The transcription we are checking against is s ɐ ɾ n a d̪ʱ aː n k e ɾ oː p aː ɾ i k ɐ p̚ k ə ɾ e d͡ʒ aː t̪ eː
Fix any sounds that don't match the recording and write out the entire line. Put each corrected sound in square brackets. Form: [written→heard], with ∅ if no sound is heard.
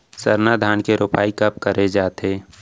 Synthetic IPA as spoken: s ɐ ɾ n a d̪ʱ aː n k e ɾ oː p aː [ɾ→∅] i k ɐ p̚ k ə ɾ e d͡ʒ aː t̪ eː